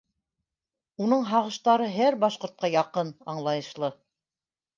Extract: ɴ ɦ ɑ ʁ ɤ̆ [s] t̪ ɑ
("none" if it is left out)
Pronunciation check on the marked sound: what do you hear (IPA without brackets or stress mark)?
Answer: ʃ